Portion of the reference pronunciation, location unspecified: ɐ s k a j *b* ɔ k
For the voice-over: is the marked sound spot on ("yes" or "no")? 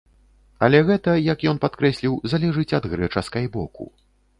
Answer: yes